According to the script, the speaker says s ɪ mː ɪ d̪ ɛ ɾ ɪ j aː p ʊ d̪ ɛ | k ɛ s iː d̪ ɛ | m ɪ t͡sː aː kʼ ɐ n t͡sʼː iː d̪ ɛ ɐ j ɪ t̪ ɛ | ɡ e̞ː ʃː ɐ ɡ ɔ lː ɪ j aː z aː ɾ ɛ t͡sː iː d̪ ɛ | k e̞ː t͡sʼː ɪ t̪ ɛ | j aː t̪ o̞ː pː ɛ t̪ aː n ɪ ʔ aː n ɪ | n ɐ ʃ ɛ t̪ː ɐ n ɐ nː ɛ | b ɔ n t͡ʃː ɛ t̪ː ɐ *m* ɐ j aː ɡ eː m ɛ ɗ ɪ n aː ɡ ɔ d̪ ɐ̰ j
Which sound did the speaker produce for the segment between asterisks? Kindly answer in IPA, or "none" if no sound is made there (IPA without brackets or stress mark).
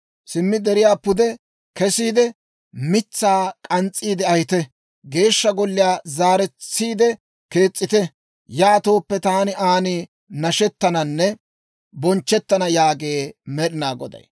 n